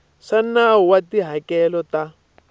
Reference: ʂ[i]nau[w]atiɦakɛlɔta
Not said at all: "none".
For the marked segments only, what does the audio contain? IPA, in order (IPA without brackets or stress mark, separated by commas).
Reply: a, w